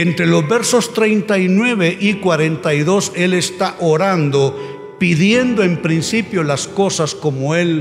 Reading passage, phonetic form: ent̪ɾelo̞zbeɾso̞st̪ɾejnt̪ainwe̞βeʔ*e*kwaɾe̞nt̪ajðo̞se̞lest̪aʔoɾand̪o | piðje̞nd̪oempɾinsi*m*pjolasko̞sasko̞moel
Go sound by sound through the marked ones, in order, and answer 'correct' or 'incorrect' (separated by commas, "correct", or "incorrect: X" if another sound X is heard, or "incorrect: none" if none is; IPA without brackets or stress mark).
incorrect: i, incorrect: none